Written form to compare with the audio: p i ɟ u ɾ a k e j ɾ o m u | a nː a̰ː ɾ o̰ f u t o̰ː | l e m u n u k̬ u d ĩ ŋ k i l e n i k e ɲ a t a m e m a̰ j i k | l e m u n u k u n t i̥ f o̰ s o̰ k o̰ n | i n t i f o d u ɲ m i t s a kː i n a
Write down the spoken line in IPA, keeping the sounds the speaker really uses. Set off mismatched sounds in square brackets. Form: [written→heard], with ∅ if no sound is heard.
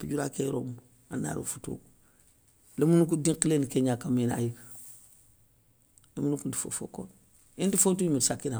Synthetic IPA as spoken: p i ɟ u ɾ a k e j ɾ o m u | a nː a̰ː ɾ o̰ f u t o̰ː | l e m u n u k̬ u d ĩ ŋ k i l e n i k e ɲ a [t→k] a m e [m→n] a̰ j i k | l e m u n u k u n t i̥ f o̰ [s→f] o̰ k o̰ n | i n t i f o [d→t] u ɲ m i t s a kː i n a